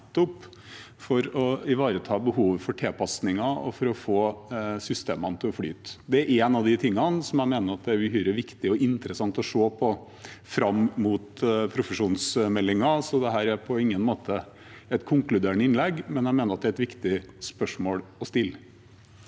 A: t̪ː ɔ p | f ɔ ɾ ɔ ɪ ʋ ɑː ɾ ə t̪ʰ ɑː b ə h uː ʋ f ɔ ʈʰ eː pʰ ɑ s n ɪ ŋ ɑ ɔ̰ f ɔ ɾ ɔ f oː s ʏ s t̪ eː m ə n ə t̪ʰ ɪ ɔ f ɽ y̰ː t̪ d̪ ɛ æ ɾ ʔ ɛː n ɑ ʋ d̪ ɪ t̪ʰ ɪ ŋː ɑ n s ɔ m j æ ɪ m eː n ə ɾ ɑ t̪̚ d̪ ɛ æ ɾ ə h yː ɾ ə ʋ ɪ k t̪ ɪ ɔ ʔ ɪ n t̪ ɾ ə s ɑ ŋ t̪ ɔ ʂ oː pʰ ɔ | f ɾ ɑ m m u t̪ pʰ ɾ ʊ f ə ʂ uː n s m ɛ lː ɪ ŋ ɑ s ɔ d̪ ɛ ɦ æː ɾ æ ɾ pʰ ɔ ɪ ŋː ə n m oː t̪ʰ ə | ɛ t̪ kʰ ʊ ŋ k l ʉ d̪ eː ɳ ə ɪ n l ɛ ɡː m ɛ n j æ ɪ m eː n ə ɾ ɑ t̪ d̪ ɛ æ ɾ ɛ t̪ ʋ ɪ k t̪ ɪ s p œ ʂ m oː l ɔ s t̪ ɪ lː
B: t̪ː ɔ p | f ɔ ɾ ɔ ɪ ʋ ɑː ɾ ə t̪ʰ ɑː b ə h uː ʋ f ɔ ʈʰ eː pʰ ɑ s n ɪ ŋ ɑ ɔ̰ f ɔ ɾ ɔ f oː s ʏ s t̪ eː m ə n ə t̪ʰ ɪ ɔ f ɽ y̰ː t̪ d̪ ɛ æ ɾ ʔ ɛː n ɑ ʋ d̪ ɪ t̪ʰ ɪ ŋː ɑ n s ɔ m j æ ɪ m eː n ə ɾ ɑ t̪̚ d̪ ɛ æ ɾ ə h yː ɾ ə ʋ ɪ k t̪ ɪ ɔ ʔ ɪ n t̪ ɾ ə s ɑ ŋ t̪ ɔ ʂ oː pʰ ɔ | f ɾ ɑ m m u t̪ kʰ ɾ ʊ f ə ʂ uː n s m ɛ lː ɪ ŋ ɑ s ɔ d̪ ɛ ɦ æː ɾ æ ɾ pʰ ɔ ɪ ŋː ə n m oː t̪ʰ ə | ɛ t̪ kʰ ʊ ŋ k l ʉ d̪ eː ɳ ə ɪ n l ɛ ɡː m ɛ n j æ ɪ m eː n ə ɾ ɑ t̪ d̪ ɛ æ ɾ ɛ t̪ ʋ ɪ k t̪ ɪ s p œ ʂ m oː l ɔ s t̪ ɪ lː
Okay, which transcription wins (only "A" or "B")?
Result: A